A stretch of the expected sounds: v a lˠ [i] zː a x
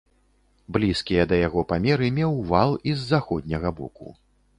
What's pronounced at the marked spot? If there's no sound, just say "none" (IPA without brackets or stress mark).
i